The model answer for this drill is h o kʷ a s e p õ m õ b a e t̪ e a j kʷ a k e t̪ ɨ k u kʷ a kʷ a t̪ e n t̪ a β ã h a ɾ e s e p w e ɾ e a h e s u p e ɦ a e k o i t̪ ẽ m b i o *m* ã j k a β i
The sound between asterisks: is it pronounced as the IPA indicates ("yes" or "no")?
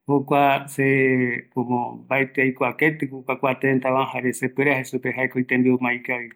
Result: yes